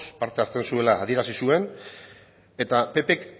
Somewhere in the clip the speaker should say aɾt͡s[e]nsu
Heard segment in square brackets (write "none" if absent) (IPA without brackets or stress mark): e